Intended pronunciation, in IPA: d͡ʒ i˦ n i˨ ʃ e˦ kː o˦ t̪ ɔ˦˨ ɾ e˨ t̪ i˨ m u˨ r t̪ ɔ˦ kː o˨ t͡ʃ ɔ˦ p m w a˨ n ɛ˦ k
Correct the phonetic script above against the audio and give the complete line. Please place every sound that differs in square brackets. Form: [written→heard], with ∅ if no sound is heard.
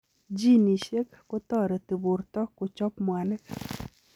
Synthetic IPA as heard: d͡ʒ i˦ n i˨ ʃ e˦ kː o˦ t̪ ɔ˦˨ ɾ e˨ t̪ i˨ [m→b] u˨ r t̪ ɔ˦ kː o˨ t͡ʃ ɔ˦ p m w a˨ n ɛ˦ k